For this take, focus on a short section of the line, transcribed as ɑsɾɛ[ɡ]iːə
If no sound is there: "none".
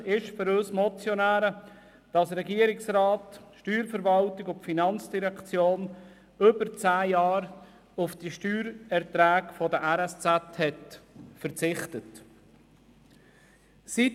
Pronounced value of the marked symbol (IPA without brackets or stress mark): ɡ